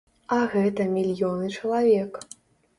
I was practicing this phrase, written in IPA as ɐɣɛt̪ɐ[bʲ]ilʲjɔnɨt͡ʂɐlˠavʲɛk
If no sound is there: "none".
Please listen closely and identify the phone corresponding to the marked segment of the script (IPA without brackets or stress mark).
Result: mʲ